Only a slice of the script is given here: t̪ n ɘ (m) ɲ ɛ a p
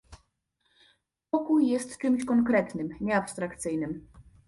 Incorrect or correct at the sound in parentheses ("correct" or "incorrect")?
correct